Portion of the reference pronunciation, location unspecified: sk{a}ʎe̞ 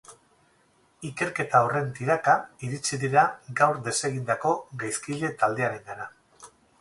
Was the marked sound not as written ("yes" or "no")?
yes